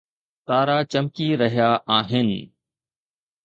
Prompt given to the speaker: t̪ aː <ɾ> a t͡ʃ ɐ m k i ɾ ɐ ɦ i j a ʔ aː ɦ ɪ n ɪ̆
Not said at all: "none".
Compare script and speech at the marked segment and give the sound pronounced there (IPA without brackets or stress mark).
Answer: ɾ